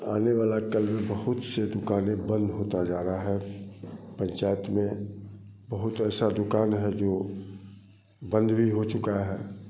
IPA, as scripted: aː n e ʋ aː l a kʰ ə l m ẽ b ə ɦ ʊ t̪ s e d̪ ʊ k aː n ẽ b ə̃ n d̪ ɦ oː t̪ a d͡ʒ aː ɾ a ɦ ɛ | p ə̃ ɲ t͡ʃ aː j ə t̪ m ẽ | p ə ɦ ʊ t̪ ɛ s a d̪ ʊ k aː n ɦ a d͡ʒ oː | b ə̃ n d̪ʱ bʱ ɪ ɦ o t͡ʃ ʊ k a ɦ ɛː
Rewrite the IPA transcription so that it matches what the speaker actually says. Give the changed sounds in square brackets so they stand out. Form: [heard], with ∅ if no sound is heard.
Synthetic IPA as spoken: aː n e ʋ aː l a [k] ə l m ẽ b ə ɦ ʊ t̪ s e d̪ ʊ k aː n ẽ b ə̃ n d̪ ɦ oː t̪ a d͡ʒ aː ɾ a ɦ ɛ | p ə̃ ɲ t͡ʃ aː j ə t̪ m ẽ | [b] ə ɦ ʊ t̪ [ɛː] s a d̪ ʊ k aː n ɦ [ɛ] d͡ʒ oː | b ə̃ n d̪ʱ bʱ [i] ɦ o t͡ʃ ʊ k a ɦ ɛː